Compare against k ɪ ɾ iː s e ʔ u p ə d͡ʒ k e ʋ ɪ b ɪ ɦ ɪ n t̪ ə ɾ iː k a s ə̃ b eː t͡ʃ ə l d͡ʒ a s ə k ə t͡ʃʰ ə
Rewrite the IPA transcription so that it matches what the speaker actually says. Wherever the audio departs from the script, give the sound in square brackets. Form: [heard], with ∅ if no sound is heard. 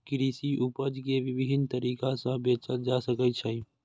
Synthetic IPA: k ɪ ɾ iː s [i] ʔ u p ə d͡ʒ k e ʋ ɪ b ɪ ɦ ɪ n t̪ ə ɾ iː k a s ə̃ b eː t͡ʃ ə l d͡ʒ a s ə k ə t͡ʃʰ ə